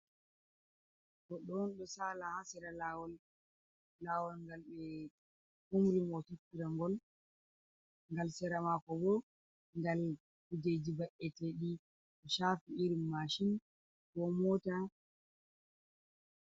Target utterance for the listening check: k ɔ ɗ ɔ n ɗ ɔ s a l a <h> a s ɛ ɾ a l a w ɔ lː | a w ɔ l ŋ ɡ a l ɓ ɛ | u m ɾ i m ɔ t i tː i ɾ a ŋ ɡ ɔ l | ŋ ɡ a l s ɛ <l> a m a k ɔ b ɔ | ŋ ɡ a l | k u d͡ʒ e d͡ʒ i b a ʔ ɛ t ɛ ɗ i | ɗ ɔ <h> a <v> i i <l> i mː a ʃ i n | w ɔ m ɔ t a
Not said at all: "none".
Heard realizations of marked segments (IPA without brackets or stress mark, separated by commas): h, ɾ, ʃ, f, ɾ